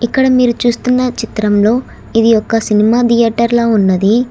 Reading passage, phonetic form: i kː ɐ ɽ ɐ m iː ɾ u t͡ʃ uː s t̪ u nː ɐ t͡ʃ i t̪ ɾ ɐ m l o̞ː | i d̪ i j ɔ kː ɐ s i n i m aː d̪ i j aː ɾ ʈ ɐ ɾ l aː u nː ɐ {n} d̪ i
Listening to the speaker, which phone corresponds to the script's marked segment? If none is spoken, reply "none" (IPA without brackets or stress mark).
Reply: none